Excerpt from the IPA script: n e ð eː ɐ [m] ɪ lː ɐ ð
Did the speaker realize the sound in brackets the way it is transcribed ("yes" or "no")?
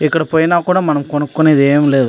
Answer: yes